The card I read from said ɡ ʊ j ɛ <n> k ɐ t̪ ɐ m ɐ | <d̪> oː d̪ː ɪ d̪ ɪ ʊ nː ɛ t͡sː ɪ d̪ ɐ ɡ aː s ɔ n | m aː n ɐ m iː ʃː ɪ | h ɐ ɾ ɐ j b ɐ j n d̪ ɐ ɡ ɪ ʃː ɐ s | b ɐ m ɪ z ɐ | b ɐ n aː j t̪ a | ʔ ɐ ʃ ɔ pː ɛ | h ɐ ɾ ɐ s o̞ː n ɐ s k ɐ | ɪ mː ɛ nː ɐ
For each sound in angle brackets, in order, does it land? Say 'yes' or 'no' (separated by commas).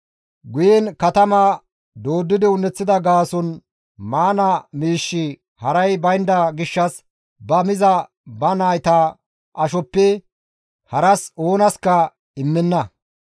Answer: yes, yes